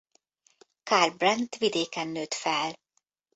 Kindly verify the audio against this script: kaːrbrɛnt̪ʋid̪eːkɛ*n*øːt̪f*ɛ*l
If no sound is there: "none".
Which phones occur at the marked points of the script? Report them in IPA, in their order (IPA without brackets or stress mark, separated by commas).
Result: nː, ɛ